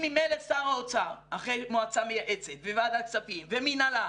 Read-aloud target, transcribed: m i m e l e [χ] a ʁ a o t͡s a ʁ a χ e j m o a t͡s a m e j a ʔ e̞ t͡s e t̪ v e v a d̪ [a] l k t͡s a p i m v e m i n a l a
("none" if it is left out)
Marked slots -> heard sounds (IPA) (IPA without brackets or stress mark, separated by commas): s, a